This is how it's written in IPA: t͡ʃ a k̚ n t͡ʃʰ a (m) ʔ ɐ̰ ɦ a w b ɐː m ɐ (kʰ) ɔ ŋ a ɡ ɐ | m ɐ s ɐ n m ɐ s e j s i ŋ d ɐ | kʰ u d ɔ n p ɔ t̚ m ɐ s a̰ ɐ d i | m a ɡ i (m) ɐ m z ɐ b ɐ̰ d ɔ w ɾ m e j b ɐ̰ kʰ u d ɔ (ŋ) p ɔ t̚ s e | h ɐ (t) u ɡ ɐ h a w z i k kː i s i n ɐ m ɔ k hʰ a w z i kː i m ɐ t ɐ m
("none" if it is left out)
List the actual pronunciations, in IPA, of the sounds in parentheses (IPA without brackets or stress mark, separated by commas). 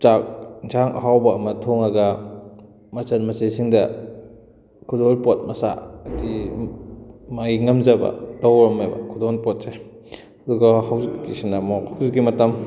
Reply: ŋ, tʰ, ŋ, n, d